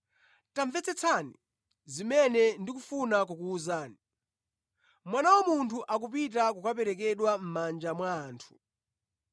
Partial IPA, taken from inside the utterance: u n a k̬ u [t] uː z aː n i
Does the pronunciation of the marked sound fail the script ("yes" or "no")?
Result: yes